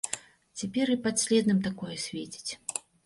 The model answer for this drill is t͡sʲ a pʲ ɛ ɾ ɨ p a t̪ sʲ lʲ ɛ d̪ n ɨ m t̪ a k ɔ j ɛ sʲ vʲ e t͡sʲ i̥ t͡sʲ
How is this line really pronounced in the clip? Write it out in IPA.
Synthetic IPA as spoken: t͡sʲ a pʲ ɛ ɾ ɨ p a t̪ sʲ lʲ ɛ d̪ n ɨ m t̪ a k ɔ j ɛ sʲ vʲ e t͡sʲ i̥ t͡sʲ

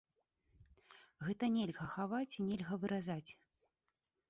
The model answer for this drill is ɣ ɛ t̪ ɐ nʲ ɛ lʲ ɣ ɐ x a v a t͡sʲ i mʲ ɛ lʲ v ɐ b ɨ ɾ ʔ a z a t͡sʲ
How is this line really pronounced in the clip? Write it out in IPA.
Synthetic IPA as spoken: ɣ ɛ t̪ ɐ nʲ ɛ lʲ ɣ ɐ x a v a t͡sʲ i nʲ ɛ lʲ ɣ ɐ v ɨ ɾ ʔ a z a t͡sʲ

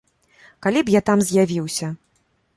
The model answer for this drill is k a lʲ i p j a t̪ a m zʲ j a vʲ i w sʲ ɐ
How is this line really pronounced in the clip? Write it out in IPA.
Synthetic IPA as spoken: k a lʲ i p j a t̪ a m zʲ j a vʲ i w sʲ ɐ

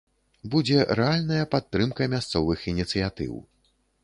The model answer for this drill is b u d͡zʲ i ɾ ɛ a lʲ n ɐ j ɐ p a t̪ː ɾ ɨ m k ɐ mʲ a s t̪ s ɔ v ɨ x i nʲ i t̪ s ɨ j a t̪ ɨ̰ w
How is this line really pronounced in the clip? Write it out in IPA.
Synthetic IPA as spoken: b u d͡zʲ ɛ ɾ ɛ a lʲ n ɐ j ɐ p a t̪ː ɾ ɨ m k ɐ mʲ a s t̪ s ɔ v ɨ x i nʲ i t̪ s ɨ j a t̪ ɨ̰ w

